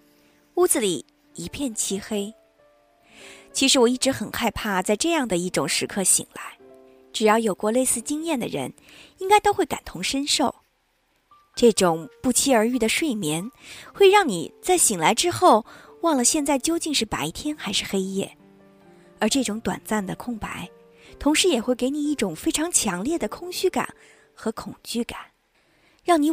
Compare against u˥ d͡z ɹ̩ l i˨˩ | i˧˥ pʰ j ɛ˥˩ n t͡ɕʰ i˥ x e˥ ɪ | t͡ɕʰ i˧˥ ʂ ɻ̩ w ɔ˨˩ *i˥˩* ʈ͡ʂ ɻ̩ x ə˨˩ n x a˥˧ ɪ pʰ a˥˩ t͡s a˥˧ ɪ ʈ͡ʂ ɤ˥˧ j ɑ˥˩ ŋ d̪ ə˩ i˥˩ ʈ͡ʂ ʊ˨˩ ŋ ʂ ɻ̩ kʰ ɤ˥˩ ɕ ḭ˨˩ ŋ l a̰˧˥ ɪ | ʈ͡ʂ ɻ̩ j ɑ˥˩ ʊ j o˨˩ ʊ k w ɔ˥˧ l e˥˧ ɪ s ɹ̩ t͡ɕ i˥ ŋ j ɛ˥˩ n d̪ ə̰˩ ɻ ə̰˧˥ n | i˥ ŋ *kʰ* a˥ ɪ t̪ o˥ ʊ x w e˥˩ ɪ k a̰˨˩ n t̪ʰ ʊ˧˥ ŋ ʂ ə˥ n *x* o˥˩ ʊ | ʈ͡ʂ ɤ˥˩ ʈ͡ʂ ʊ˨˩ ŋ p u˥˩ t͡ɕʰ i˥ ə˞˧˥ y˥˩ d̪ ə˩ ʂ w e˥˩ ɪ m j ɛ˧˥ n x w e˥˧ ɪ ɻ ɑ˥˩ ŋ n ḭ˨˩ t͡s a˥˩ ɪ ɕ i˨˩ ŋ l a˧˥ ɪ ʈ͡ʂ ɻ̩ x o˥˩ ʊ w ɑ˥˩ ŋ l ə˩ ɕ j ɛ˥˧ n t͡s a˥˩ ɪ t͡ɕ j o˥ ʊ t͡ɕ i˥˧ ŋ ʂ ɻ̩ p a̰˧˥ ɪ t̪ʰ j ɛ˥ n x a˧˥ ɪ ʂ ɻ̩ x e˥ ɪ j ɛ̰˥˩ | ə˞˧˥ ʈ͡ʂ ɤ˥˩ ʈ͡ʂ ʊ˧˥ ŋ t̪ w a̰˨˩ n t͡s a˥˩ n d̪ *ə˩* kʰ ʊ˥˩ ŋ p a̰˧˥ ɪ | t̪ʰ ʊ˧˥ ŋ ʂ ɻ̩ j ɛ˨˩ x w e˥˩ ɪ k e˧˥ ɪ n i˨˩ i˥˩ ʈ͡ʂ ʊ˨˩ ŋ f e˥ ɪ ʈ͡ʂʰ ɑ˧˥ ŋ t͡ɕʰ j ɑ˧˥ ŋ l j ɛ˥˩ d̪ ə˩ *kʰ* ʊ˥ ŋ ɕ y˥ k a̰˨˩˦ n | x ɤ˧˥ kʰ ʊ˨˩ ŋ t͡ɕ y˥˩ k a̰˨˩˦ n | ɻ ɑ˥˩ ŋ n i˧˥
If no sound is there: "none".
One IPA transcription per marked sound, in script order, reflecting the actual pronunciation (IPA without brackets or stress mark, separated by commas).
i˥˩, k, ʂ, ə˩, kʰ